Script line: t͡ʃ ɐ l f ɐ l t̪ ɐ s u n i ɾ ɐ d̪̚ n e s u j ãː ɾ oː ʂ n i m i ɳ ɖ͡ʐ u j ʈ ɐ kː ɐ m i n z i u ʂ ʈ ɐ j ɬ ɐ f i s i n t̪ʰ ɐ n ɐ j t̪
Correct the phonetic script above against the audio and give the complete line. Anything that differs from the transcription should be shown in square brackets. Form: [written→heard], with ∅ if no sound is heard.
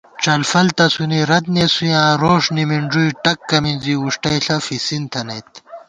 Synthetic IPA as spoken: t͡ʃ ɐ l f ɐ l t̪ ɐ s u n i ɾ ɐ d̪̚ n e s u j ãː ɾ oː ʂ n i m i ɳ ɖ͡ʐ u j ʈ ɐ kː ɐ m i n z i u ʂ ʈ ɐ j ɬ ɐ f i s i n t̪ʰ ɐ n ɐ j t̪

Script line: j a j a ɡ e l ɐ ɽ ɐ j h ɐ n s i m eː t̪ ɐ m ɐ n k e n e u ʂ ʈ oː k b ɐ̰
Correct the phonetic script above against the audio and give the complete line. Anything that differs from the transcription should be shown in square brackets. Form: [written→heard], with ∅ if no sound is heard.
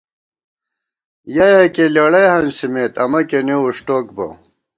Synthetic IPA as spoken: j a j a [ɡ→k] e l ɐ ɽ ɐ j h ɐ n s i m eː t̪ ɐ m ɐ [n→∅] k e n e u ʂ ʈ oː k b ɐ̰

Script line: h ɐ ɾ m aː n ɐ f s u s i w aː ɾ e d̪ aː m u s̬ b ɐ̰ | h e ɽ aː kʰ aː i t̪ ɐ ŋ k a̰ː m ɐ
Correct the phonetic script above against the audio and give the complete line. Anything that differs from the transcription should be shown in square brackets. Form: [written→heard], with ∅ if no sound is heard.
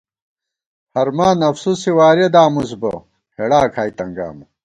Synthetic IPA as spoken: h ɐ ɾ m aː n ɐ f s u s i w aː ɾ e d̪ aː m u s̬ b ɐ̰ | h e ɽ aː kʰ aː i t̪ ɐ ŋ [k→ɡ] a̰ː m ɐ

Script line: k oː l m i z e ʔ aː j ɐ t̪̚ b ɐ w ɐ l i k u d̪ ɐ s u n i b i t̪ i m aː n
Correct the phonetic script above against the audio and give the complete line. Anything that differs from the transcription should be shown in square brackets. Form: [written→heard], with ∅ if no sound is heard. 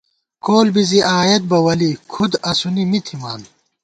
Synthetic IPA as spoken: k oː l [m→b] i z [e→i] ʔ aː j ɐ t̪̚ b ɐ w ɐ l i [k→kʰ] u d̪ ɐ s u n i [b→m] i [t̪→t̪ʰ] i m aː n

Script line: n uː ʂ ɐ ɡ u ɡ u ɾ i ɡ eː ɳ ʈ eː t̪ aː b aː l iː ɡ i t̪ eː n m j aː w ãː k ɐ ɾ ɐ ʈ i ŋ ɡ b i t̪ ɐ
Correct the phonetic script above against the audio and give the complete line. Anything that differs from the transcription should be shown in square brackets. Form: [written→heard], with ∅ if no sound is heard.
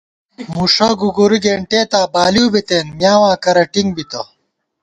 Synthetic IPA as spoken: [n→m] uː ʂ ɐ ɡ u ɡ u ɾ i ɡ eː ɳ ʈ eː t̪ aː b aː l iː [ɡ→b] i t̪ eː n m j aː w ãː k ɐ ɾ ɐ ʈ i ŋ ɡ b i t̪ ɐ

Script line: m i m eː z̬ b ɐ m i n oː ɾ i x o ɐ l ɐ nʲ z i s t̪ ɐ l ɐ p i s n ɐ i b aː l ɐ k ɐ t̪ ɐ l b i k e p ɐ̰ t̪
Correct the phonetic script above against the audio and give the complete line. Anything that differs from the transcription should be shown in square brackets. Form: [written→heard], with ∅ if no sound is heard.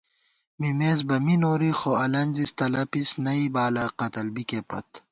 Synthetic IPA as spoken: m i m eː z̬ b ɐ m i n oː ɾ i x o ɐ l ɐ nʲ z i s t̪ ɐ l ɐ p i s n ɐ i b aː l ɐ [k→q] ɐ t̪ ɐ l b i k e p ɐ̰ t̪

